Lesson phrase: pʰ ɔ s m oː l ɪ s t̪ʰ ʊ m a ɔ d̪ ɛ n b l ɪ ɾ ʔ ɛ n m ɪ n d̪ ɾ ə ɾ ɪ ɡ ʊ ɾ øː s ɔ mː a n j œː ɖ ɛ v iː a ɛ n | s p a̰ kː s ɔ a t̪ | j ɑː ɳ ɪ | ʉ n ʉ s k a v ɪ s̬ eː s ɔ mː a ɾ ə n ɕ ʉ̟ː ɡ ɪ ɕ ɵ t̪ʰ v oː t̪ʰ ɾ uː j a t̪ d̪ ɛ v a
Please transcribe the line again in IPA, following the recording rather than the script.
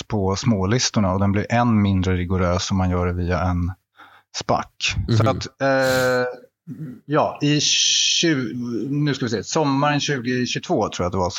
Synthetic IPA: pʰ ɔ s m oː l ɪ s t̪ ʊ ɳ a ɔ d̪ ɛ n b l ɪ ɾ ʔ ɛ n m ɪ n d̪ ɾ ə ɾ ɪ ɡ ʊ ɾ øː s ɔ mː a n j œː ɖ ɛ v iː a ɛ n | s p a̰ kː s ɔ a t̪ | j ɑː ɪ | ʉ n ʉ s k a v ɪ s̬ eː s ɔ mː a ɾ ə n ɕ ʉ̟ː ɡ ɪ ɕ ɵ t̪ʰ v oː t̪ʰ ɾ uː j a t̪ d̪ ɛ v a